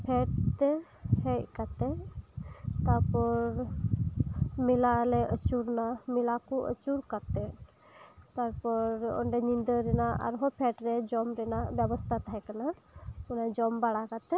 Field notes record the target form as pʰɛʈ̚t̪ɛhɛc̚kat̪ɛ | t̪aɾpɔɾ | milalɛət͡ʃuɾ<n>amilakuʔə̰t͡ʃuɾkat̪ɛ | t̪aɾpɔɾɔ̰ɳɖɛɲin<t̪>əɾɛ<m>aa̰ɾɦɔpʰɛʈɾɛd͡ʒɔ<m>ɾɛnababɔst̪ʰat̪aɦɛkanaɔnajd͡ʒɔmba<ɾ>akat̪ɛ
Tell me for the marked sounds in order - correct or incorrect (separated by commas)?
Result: correct, incorrect, incorrect, correct, incorrect